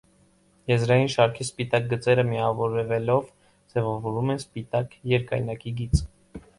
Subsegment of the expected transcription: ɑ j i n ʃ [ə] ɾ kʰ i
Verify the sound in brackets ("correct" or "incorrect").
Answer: incorrect